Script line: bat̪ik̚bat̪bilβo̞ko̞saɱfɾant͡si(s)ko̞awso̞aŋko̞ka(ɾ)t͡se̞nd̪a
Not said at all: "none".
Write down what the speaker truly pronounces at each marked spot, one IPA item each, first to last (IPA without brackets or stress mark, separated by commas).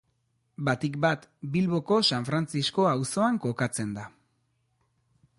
s, none